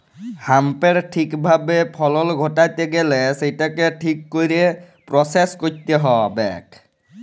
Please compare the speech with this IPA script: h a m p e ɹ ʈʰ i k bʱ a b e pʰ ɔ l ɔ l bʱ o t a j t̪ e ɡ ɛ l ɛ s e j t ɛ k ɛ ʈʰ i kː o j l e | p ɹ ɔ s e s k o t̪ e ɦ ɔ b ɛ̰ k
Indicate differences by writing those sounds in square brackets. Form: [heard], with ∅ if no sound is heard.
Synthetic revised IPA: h a m p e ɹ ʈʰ i k bʱ a b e pʰ ɔ l ɔ l [ɡʱ] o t a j t̪ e ɡ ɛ l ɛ s e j t [a] k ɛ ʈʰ i kː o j [ɾ] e | p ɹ ɔ s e s k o t̪ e ɦ ɔ b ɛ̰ k